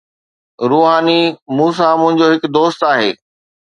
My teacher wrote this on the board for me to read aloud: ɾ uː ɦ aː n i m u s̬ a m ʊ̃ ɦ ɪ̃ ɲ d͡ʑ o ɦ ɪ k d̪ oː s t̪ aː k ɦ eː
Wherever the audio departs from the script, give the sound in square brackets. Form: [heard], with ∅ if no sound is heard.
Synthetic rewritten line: ɾ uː ɦ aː n i m [uː] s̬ a m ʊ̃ ɦ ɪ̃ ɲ d͡ʑ o ɦ ɪ k d̪ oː s t̪ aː [∅] ɦ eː